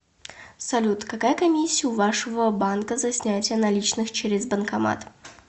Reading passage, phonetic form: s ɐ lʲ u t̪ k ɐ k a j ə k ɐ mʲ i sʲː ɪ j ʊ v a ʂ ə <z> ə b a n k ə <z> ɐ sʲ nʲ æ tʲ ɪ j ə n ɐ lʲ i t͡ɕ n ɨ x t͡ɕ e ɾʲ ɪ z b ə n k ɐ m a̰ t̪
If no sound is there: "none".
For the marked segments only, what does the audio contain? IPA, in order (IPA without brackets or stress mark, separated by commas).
v, z